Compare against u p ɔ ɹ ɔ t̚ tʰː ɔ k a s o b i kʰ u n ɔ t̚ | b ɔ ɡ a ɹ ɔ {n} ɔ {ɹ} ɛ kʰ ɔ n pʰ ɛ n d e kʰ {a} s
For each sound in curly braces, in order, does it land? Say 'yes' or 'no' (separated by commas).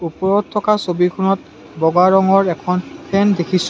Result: no, yes, no